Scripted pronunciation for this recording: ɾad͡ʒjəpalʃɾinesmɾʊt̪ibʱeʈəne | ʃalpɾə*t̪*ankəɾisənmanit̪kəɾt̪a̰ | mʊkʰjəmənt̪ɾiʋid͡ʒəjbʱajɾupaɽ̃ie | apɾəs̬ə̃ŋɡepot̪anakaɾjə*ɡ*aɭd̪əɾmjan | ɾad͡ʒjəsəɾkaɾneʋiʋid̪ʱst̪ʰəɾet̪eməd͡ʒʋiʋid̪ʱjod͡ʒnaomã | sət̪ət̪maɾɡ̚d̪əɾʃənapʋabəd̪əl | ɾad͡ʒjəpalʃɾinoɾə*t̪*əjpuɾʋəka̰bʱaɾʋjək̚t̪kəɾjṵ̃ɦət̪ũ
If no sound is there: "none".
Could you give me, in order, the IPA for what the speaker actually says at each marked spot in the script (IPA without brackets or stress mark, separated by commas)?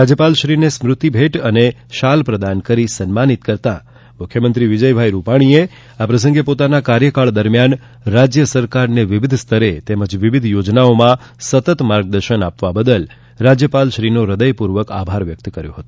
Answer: d̪, k, d̪